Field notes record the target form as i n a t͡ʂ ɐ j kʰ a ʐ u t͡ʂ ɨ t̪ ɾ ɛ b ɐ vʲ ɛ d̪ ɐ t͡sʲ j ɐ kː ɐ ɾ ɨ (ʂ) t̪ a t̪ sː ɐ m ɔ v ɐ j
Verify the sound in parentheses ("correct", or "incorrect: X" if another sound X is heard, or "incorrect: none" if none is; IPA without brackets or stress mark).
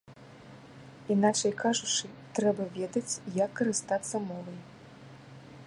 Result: incorrect: s